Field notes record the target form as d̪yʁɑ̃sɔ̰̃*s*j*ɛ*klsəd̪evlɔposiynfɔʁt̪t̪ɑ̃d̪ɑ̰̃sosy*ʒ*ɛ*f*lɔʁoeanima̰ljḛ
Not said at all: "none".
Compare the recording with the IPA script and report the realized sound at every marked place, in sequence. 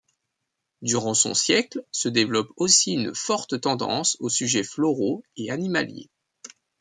s, ɛ, ʒ, f

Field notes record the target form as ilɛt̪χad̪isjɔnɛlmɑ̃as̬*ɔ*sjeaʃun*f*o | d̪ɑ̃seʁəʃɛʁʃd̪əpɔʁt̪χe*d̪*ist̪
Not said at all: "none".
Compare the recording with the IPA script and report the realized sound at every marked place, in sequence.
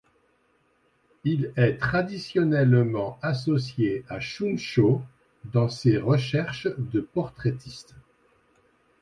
ɔ, ʃ, t̪

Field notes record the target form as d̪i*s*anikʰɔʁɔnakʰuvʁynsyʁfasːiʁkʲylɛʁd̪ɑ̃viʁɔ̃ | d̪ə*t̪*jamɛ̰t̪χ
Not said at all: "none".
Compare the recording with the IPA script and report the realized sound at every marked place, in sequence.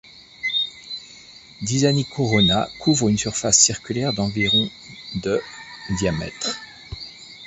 z, d̪

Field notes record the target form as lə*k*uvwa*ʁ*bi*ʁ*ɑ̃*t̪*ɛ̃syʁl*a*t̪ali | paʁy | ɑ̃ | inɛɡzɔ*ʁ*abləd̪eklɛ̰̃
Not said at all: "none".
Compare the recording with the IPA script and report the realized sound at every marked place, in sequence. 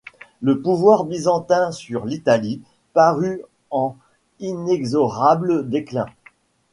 p, ʁ, z, t̪, i, ʁ

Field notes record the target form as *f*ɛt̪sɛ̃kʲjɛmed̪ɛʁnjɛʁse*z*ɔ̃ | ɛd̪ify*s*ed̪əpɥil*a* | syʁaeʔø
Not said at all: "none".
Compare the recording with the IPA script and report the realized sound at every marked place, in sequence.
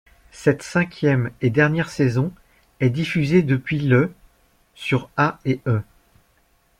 s, z, z, ə

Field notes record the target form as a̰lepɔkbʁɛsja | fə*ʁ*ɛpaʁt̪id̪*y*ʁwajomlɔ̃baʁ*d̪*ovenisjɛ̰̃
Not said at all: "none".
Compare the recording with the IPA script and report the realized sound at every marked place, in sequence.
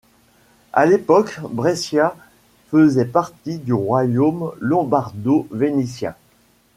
z, y, d̪

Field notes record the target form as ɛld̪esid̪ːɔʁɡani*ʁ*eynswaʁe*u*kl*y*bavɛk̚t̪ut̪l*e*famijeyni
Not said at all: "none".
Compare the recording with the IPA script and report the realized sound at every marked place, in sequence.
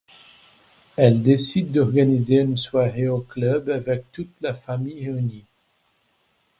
z, o, œ, a

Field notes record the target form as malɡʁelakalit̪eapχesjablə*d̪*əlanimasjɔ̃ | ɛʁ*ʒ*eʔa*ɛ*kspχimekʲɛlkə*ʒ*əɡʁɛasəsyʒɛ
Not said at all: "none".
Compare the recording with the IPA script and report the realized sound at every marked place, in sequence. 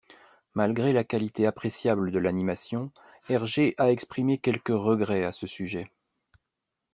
d̪, ʒ, ɛ, ʁ

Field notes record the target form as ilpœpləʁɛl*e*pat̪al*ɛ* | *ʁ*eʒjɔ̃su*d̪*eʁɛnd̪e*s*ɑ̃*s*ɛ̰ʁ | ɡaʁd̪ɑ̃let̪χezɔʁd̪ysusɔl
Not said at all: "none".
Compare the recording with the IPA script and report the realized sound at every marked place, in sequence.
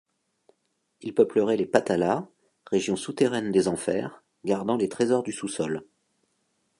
e, a, ʁ, t̪, z, f

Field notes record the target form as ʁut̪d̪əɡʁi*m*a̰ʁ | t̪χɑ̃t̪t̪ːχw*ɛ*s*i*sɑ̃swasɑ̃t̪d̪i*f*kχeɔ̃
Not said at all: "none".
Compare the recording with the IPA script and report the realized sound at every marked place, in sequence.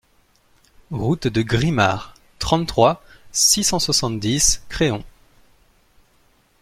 m, a, i, s

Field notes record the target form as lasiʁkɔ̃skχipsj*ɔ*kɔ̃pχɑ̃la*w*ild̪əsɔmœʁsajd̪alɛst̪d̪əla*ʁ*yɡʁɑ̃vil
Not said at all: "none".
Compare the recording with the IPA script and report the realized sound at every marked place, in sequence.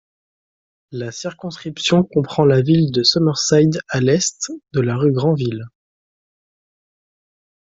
ɔ̃, v, ʁ

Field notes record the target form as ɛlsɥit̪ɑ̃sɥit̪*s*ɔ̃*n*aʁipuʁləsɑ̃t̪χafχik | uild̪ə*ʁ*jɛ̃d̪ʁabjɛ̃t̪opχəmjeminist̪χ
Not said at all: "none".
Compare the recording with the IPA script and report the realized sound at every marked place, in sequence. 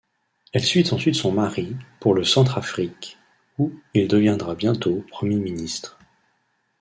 s, m, v

